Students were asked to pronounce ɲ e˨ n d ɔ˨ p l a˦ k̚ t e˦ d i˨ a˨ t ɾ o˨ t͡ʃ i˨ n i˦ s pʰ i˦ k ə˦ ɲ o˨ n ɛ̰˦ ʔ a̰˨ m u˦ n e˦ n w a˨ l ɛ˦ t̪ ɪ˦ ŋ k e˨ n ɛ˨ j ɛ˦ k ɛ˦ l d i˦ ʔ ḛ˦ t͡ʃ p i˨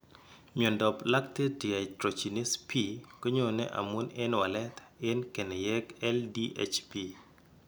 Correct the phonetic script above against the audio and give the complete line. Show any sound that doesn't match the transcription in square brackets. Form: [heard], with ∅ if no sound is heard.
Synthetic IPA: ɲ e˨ n d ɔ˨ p l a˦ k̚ t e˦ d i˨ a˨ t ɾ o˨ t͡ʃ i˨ n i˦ s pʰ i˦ k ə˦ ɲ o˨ n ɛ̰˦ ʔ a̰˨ m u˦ n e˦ n w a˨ l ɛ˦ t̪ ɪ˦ [n] k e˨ n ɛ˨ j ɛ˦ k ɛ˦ l d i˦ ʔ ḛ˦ t͡ʃ p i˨